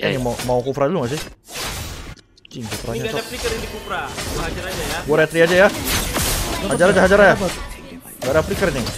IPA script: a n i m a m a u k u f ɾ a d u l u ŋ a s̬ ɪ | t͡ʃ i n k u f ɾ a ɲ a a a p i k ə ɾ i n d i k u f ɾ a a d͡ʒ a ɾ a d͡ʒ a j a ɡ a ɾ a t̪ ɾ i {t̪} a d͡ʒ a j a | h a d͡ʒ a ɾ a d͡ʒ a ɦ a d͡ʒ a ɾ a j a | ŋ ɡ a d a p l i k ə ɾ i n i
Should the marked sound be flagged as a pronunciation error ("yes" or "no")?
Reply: yes